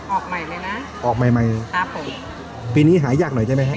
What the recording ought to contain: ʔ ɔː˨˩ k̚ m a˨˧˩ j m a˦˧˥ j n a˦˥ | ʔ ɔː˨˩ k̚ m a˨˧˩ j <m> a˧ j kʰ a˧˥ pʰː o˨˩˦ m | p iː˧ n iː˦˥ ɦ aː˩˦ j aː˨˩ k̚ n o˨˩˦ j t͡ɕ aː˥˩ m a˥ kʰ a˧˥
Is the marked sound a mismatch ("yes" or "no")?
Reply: no